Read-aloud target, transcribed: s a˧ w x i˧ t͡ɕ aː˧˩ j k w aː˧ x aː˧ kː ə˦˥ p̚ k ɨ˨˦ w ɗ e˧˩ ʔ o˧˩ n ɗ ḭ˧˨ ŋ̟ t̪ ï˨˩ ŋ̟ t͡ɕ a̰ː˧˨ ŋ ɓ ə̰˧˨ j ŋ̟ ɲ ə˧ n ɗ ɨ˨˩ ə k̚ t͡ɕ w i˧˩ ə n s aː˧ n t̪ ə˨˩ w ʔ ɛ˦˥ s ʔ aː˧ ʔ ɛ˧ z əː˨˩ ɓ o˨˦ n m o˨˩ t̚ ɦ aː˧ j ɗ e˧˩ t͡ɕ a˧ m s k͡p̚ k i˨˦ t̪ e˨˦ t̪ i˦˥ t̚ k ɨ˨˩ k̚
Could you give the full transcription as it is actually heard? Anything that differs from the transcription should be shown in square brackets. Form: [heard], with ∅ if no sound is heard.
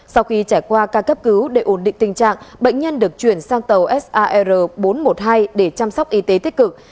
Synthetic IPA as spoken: s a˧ w x i˧ t͡ɕ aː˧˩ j k w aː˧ [k] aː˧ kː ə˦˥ p̚ k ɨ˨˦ w ɗ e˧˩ ʔ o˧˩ n ɗ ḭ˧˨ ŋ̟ t̪ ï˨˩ ŋ̟ t͡ɕ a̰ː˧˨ ŋ ɓ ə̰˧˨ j ŋ̟ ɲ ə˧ n ɗ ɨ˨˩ ə k̚ t͡ɕ w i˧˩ ə n s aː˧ [ŋ] t̪ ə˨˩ w ʔ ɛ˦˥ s ʔ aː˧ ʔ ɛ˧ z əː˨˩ ɓ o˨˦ n m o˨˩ t̚ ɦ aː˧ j ɗ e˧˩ t͡ɕ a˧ m s k͡p̚ [ʔ] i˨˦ t̪ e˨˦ t̪ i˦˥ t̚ k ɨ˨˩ k̚